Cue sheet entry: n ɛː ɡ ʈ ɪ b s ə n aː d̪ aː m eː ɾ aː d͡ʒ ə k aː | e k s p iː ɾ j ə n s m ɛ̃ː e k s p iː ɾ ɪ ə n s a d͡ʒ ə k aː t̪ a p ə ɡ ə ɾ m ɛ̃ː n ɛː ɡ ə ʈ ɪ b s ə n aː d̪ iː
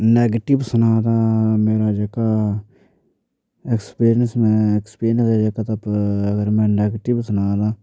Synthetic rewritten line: n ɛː ɡ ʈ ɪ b s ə n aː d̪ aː m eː ɾ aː d͡ʒ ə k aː | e k s p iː ɾ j ə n s m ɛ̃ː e k s p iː ɾ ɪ ə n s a d͡ʒ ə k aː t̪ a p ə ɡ ə ɾ m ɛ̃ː n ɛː ɡ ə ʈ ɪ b s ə n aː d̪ aː